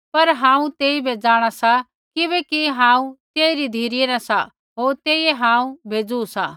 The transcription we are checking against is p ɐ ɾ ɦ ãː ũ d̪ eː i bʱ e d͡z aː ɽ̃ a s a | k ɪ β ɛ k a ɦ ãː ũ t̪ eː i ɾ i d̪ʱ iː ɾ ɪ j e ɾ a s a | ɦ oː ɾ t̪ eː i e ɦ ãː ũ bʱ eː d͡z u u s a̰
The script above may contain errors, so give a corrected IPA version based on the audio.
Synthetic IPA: p ɐ ɾ ɦ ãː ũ t̪ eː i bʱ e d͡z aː ɽ̃ a s a | k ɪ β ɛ k i ɦ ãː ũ t̪ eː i ɾ i d̪ʱ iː ɾ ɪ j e ɾ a s a | ɦ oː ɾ t̪ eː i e ɦ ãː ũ bʱ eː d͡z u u s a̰